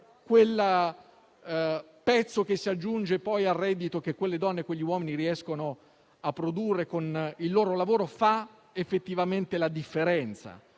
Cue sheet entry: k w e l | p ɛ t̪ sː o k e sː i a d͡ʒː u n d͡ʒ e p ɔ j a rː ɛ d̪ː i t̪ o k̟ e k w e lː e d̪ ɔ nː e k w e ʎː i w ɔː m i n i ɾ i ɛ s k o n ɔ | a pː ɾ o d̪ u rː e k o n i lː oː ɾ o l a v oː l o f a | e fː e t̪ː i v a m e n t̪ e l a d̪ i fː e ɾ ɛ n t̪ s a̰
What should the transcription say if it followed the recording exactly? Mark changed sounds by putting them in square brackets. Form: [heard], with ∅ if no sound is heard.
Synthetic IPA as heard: k w e l | p ɛ t̪ sː o k e sː i a d͡ʒː u n d͡ʒ e p ɔ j a rː ɛ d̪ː i t̪ o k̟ e k w e lː e d̪ ɔ nː e k w e ʎː i w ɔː m i n i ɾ i ɛ s k o n [o] | a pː ɾ o d̪ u rː e k o n i lː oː ɾ o l a v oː [ɾ] o f a | e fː e t̪ː i v a m e n t̪ e l a d̪ i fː e ɾ ɛ n t̪ s a̰